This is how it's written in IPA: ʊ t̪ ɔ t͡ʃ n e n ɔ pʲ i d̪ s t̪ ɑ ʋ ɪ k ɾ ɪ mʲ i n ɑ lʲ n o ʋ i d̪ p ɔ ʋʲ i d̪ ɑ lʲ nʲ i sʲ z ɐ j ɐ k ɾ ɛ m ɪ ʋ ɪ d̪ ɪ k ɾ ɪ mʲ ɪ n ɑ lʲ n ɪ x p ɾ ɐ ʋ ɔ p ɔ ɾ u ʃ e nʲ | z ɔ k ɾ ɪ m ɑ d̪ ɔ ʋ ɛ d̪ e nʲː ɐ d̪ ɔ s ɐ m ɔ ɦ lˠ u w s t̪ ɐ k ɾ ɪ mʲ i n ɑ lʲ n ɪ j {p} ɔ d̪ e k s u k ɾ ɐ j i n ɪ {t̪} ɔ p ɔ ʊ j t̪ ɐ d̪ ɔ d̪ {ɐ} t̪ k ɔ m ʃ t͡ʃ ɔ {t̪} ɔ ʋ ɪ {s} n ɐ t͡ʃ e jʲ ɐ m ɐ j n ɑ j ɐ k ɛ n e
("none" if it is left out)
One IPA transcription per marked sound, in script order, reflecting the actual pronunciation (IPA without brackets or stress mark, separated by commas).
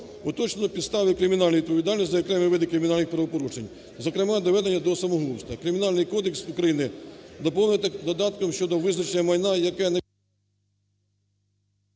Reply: k, d̪, ɑ, d̪, z